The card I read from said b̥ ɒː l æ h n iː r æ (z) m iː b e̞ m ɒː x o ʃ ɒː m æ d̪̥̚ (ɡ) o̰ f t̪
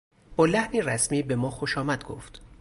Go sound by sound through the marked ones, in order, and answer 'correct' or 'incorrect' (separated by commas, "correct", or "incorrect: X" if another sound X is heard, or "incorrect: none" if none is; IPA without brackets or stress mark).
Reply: incorrect: s, correct